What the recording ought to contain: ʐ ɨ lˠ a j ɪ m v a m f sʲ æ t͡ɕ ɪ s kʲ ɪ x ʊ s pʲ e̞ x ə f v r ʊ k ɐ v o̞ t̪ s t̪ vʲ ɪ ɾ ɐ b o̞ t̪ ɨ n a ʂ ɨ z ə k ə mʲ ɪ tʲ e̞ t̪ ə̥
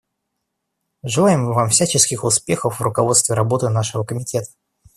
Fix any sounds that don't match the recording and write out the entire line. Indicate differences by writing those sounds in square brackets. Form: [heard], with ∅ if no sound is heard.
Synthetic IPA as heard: ʐ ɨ lˠ a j ɪ m v a m f sʲ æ t͡ɕ ɪ s kʲ ɪ x ʊ s pʲ e̞ x ə f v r ʊ k ɐ v o̞ t̪ s t̪ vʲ ɪ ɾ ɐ b o̞ t̪ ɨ n a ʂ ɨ [v] ə k ə mʲ ɪ tʲ e̞ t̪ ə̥